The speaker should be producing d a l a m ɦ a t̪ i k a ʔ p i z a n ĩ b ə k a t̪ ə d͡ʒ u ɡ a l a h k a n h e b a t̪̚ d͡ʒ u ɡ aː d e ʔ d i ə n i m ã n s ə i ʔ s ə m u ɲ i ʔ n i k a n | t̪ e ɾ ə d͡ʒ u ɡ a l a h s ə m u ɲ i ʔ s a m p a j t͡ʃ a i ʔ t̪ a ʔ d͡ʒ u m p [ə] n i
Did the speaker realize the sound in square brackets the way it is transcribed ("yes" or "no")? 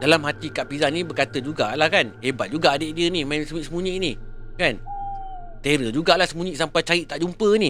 yes